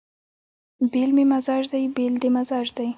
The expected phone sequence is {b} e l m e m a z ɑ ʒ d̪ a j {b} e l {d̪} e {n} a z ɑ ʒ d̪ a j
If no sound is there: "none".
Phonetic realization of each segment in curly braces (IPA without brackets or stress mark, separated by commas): b, b, d̪, m